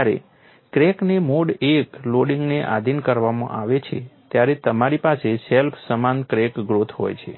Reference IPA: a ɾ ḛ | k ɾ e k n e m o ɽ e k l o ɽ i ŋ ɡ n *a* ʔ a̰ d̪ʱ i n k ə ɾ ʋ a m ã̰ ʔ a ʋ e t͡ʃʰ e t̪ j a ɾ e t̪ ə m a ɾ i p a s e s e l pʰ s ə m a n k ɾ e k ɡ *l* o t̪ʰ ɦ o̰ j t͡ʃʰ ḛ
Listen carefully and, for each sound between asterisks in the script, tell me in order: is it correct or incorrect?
incorrect: e, incorrect: ɾ

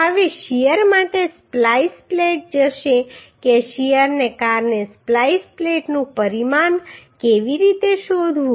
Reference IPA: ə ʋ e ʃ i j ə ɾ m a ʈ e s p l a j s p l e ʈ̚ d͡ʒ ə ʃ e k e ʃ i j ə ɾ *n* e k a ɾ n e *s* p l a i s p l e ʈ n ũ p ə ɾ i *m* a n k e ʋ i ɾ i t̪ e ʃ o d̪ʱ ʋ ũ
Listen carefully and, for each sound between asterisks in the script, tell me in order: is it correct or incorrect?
correct, correct, correct

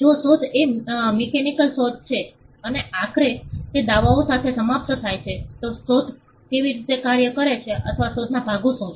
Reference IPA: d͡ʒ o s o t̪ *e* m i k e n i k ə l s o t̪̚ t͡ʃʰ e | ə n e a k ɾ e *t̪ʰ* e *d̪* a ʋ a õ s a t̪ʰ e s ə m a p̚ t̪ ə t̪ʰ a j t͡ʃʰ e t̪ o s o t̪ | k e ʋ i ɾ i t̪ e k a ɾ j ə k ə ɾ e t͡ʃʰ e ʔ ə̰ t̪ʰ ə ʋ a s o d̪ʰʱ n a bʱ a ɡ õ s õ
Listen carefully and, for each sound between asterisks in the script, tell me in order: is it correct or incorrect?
correct, incorrect: t̪, correct

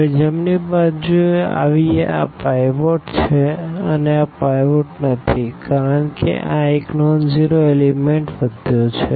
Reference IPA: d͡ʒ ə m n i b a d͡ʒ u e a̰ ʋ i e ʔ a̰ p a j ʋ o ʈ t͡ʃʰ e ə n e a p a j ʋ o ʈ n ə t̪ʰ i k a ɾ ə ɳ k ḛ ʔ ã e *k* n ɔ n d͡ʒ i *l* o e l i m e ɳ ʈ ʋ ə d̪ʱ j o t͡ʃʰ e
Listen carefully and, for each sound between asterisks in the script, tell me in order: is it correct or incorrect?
correct, incorrect: ɾ

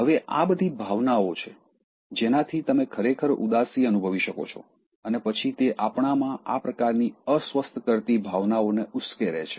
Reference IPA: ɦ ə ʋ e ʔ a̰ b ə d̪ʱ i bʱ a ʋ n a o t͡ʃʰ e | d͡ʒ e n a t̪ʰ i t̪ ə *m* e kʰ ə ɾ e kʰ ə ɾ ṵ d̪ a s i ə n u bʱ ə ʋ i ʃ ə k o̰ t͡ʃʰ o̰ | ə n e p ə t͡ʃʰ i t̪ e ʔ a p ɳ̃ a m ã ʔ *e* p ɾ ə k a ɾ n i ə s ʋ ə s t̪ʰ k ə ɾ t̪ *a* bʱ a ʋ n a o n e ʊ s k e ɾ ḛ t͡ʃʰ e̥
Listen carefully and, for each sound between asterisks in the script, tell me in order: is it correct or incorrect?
correct, incorrect: a, incorrect: i

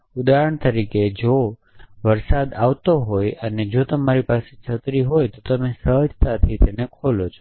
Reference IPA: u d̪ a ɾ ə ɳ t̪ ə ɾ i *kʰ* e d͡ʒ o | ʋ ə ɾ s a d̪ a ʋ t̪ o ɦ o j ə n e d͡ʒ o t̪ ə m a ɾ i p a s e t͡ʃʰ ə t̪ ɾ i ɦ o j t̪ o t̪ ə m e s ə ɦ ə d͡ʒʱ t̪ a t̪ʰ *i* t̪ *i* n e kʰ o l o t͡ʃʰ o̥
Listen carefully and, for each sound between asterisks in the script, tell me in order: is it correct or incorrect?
incorrect: k, correct, incorrect: e

